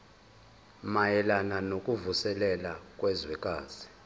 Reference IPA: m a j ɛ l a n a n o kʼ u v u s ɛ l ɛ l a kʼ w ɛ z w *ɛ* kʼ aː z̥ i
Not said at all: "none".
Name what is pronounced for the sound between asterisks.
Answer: ɛ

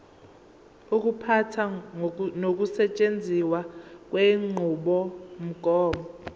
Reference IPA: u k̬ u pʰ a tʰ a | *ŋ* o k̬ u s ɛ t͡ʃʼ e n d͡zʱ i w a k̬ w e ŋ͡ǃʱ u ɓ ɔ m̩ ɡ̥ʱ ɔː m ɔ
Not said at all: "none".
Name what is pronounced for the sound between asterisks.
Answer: n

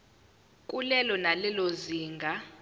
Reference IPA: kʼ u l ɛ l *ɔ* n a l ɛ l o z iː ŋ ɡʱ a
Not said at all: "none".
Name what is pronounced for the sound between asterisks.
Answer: ɔ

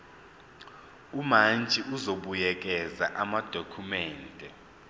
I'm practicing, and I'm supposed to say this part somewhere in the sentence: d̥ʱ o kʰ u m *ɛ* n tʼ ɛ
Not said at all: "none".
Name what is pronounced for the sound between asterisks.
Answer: ɛː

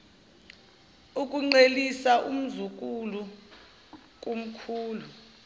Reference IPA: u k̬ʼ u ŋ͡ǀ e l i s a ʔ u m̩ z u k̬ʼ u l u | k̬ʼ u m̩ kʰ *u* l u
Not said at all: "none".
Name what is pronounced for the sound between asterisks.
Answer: uː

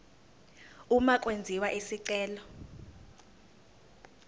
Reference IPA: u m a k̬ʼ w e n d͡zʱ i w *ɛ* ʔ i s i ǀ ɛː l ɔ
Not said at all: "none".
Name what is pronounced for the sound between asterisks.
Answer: a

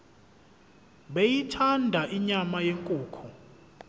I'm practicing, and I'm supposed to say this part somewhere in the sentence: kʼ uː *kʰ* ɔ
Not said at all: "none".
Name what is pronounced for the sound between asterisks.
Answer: kʰ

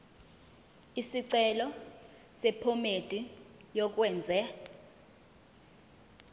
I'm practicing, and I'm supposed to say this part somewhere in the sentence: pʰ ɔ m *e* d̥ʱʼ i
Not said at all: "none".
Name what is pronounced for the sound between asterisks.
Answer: e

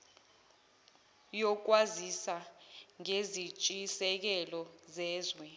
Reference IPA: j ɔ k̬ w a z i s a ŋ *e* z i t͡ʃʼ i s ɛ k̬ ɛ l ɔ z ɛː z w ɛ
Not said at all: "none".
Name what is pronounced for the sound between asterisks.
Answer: e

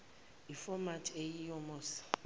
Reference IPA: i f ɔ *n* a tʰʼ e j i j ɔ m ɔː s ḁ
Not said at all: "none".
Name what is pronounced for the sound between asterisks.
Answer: m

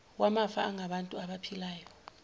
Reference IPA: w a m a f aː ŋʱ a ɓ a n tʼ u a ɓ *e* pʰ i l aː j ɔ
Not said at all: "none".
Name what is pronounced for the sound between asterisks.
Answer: a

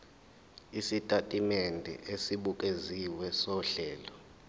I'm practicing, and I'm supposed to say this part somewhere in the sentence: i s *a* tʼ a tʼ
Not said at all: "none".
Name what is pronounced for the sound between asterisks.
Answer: i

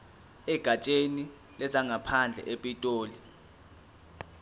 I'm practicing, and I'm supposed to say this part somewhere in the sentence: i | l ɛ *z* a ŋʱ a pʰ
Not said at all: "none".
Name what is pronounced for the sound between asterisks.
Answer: z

